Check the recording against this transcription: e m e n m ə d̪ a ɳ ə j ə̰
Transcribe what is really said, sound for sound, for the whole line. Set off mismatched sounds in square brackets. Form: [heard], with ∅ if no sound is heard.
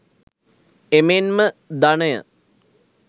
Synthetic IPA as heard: e m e n m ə d̪ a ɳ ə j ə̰